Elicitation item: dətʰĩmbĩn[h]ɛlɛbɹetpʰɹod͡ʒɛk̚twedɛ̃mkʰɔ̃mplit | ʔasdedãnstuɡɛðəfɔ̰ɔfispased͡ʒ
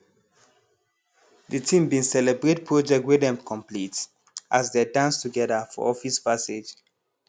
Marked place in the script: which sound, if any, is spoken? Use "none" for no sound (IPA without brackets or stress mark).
s